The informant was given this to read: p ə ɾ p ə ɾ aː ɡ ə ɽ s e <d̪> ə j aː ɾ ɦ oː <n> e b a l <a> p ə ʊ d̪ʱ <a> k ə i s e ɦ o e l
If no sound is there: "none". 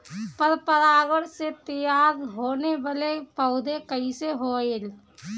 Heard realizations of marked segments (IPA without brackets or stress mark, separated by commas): t̪, n, e, e